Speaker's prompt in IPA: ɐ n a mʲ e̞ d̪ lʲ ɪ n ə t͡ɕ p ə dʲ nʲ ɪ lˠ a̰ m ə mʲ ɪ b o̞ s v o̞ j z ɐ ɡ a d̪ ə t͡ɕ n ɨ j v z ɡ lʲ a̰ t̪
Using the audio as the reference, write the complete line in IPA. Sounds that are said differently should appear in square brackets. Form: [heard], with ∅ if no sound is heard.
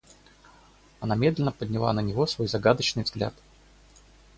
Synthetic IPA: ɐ n a mʲ e̞ d̪ lʲ ɪ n ə [∅] p ə dʲ nʲ ɪ lˠ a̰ [n] ə [nʲ] ɪ [v] o̞ s v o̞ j z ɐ ɡ a d̪ ə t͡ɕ n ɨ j v z ɡ lʲ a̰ t̪

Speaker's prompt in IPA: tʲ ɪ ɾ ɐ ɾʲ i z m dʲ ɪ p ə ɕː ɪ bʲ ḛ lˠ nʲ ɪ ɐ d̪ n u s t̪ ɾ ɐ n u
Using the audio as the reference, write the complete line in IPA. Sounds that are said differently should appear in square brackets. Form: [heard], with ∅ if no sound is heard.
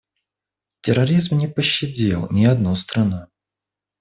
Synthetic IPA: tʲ ɪ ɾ ɐ ɾʲ i z m [nʲ] ɪ p ə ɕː ɪ [dʲ] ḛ lˠ nʲ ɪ ɐ d̪ n u s t̪ ɾ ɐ n u

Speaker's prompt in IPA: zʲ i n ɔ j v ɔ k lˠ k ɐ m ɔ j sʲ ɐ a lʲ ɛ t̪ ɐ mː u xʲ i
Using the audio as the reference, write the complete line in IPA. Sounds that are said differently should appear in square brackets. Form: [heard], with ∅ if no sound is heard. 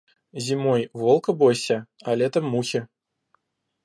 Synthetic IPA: zʲ i [m] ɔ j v ɔ [∅] lˠ k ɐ [b] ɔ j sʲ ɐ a lʲ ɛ t̪ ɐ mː u xʲ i

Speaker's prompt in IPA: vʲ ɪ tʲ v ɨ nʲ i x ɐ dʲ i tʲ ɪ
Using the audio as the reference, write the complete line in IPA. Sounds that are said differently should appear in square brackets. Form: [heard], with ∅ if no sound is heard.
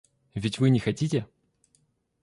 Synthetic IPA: vʲ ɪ tʲ v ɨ nʲ [ɪ] x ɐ [tʲ] i tʲ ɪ

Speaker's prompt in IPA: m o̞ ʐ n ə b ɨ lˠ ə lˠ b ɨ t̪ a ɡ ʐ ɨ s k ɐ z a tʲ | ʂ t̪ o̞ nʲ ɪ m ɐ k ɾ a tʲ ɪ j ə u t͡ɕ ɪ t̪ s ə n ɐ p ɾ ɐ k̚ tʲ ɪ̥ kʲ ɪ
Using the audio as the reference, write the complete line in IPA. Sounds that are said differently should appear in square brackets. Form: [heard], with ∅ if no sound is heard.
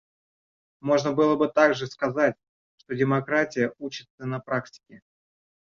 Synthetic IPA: m o̞ ʐ n ə b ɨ lˠ ə [∅] b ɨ t̪ a ɡ ʐ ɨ s k ɐ z a tʲ | ʂ t̪ o̞ [dʲ] ɪ m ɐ k ɾ a tʲ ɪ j ə u t͡ɕ ɪ t̪ s ə n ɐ p ɾ [a] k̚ tʲ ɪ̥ kʲ ɪ

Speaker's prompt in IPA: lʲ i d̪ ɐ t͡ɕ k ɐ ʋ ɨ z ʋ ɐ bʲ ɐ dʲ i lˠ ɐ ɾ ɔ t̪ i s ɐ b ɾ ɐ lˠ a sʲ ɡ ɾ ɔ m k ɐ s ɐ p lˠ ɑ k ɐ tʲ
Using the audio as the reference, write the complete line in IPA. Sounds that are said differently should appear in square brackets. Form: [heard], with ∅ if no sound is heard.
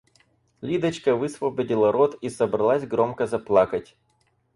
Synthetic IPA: lʲ i d̪ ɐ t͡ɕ k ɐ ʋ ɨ [s] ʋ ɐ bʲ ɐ dʲ i lˠ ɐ ɾ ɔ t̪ i s ɐ b ɾ ɐ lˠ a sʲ ɡ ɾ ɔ m k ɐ [z] ɐ p lˠ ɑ k ɐ tʲ

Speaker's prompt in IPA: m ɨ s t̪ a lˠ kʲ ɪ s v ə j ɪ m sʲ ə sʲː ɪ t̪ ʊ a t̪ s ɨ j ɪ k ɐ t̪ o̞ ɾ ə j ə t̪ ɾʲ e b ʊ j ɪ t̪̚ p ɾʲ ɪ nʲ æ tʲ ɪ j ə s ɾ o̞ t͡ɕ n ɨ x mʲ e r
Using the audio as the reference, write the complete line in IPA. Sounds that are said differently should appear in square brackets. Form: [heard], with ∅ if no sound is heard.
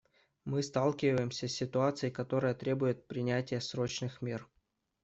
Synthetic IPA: m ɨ s t̪ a lˠ kʲ ɪ [∅] v ə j ɪ m sʲ ə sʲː ɪ t̪ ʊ a t̪ s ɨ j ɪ k ɐ t̪ o̞ ɾ ə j ə t̪ ɾʲ e b ʊ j ɪ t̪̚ p ɾʲ ɪ nʲ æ tʲ ɪ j ə s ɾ o̞ t͡ɕ n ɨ x mʲ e r

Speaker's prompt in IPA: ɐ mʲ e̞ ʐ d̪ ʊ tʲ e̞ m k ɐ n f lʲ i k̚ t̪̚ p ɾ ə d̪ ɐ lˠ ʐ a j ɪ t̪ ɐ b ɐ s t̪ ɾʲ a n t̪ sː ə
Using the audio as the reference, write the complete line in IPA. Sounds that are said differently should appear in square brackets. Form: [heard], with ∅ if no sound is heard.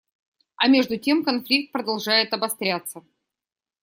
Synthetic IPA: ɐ mʲ e̞ ʐ d̪ ʊ tʲ e̞ m k ɐ n f lʲ i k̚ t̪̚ p ɾ ə d̪ ɐ lˠ ʐ a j ɪ t̪ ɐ b ɐ s t̪ ɾʲ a [∅] t̪ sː ə

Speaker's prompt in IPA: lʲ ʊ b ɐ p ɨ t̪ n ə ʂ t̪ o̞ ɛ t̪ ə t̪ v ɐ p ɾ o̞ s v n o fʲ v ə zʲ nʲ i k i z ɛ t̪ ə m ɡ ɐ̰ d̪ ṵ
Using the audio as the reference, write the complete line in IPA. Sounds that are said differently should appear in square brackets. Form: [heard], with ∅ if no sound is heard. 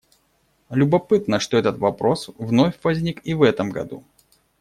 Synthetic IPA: lʲ ʊ b ɐ p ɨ t̪ n ə ʂ t̪ o̞ ɛ t̪ ə t̪ v ɐ p ɾ o̞ s v n o fʲ v [ɐ] zʲ nʲ i k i [v] ɛ t̪ ə m ɡ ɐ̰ d̪ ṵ

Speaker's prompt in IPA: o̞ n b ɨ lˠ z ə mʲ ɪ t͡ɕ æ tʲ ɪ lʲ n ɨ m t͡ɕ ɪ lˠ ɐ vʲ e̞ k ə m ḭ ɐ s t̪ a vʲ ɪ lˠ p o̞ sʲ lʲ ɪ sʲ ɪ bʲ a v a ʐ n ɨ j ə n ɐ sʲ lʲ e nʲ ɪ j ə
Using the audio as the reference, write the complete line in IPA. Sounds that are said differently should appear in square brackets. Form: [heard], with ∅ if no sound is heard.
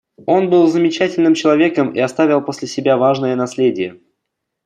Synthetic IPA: o̞ n b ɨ lˠ z ə mʲ ɪ t͡ɕ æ tʲ ɪ lʲ n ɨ m t͡ɕ ɪ lˠ ɐ vʲ e̞ k ə m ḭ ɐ s t̪ a vʲ ɪ lˠ p o̞ sʲ lʲ ɪ sʲ ɪ bʲ a v a ʐ n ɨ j ə n ɐ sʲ lʲ e [dʲ] ɪ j ə

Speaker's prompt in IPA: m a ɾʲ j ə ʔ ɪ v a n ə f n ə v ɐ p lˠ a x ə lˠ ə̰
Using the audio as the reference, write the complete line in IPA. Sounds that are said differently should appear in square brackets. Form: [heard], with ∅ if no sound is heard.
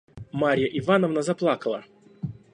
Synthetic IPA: m a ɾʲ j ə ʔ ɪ v a n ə [v] n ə [z] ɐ p lˠ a [k] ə lˠ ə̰

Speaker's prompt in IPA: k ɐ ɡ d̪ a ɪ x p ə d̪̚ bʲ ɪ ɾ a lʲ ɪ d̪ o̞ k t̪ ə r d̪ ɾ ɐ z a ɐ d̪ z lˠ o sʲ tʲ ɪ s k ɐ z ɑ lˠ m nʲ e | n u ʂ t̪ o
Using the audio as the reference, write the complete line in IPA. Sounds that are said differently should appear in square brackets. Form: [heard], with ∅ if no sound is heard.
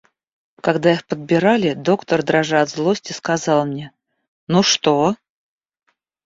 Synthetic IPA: k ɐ ɡ d̪ a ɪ x p ə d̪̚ bʲ ɪ ɾ a lʲ ɪ d̪ o̞ k t̪ ə r d̪ ɾ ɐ [ʐ] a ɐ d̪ z lˠ o sʲ tʲ ɪ s k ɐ z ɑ lˠ m nʲ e | n u ʂ t̪ o

